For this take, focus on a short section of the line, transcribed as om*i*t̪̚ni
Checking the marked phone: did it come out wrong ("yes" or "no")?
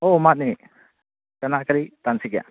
yes